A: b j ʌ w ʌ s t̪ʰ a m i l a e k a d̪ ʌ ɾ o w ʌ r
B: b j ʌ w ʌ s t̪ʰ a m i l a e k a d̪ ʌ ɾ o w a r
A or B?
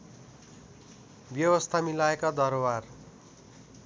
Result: B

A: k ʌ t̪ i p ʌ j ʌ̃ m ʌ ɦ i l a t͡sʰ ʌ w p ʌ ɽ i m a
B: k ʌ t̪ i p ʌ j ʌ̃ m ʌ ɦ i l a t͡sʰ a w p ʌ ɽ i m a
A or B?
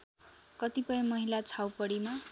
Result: B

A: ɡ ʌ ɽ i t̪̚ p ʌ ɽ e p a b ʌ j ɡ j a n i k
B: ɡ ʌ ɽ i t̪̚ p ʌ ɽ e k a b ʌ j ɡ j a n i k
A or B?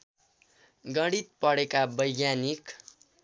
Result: B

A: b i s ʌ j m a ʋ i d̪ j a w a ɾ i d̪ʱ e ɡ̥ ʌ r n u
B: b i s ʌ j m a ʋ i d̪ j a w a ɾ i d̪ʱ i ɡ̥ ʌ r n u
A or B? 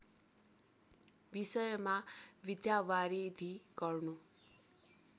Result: B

